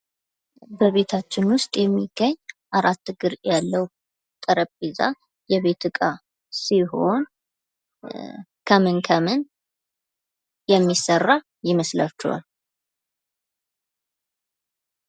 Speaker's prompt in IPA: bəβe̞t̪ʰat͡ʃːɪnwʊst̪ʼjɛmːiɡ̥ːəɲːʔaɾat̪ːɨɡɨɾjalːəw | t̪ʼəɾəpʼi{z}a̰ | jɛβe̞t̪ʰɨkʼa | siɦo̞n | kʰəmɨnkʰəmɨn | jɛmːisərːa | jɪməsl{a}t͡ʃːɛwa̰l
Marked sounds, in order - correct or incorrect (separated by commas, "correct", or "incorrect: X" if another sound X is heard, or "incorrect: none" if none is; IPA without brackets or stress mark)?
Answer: correct, correct